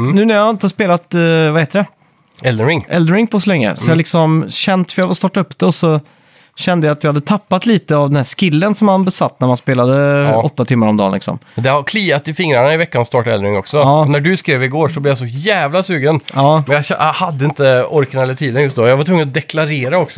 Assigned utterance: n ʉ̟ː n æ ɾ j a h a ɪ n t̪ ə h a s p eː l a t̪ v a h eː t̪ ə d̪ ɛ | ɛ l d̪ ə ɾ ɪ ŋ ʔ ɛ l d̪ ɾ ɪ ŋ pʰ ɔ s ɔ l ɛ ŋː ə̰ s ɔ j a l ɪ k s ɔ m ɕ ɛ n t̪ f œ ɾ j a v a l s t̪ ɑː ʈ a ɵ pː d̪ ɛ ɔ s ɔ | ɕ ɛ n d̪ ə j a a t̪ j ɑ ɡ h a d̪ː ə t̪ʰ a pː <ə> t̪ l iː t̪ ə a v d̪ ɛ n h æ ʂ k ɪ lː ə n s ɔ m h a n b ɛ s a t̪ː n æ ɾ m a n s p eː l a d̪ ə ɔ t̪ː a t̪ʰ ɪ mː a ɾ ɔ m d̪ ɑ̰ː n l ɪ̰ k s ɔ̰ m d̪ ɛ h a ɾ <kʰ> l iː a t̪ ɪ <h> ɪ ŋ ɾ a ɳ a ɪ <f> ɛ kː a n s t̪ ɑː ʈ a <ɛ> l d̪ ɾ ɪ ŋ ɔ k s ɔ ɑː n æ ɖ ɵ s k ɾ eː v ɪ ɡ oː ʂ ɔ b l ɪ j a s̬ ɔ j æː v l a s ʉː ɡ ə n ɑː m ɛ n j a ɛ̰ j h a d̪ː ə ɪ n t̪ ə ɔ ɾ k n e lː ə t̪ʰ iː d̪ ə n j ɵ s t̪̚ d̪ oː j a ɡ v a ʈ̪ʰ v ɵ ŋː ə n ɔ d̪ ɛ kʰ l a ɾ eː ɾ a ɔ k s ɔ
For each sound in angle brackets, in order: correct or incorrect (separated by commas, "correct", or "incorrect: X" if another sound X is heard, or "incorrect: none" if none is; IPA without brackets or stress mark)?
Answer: incorrect: a, correct, incorrect: f, incorrect: v, correct